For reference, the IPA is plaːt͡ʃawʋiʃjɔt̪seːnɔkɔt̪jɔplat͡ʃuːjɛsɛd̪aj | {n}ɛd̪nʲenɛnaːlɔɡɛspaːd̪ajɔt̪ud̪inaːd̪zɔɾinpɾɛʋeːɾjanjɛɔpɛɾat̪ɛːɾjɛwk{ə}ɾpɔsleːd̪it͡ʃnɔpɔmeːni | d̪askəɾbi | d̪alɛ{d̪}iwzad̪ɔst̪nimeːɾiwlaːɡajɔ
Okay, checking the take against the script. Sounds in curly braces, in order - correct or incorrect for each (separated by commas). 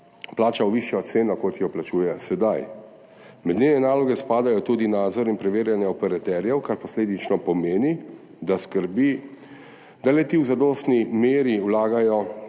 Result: incorrect, incorrect, incorrect